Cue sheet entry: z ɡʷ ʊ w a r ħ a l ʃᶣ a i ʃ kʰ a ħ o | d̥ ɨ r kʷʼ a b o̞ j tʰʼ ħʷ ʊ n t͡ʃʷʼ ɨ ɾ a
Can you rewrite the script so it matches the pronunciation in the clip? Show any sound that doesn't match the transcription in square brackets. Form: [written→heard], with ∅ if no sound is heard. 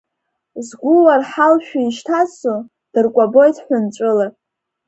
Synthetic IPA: z ɡʷ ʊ w a r ħ a l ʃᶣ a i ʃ [kʰ→tʰ] a [ħ→s] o | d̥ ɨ r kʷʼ a b o̞ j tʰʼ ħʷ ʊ n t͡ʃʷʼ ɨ [ɾ→l] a

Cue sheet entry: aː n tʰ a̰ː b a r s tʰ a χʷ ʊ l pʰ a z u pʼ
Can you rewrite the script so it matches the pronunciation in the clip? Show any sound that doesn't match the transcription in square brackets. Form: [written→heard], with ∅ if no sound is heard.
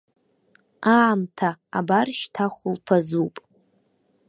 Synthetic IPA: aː [n→m] tʰ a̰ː b a r [s→ʃ] tʰ a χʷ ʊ l pʰ a z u pʼ

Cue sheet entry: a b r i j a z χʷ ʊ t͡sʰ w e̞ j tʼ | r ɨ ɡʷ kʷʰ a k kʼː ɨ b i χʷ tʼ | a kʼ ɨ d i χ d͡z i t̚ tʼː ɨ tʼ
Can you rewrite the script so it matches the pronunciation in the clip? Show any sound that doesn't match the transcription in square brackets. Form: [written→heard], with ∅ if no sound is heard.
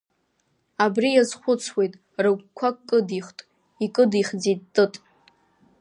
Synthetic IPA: a b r i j a z χʷ ʊ t͡sʰ w e̞ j tʼ | r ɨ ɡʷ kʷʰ a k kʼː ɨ [b→d] i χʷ tʼ | [a→i] kʼ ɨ d i χ d͡z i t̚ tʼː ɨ tʼ

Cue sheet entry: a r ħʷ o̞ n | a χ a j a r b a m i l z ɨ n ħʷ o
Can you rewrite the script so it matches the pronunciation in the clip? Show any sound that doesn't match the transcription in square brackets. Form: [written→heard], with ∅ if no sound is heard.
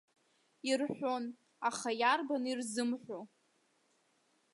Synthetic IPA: [a→i] r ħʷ o̞ n | a χ a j a r b a [m→n] i [l→r] z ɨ [n→m] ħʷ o

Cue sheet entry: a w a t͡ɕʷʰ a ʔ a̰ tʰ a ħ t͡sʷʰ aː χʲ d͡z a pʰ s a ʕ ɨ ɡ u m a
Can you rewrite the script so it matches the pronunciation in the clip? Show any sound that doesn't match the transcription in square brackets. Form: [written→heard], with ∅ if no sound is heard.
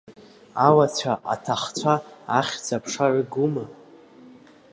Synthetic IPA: a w a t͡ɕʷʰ a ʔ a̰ tʰ a [ħ→χ] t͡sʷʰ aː χʲ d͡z a pʰ [s→ʂ] a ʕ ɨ ɡ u m a

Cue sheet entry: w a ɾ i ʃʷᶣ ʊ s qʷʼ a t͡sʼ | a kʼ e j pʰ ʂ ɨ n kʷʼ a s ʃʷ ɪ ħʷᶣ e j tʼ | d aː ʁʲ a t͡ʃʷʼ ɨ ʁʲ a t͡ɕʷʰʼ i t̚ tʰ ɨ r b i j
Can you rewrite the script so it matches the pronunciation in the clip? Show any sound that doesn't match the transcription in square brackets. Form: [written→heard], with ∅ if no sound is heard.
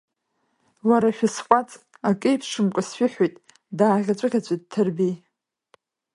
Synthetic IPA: w a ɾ [i→a] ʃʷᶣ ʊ s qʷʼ a t͡sʼ | a kʼ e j pʰ ʂ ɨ [n→m] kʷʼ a s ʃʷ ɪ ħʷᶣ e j tʼ | d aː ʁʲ a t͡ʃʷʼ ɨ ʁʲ a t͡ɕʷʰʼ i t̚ tʰ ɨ r b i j

